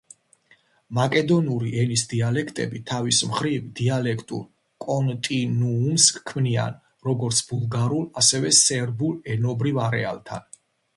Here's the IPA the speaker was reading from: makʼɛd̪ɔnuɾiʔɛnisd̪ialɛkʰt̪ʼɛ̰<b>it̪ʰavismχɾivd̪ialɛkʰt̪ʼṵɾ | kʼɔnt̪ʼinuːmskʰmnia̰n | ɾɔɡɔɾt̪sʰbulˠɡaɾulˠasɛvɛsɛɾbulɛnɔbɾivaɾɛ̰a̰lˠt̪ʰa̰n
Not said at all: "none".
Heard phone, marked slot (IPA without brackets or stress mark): b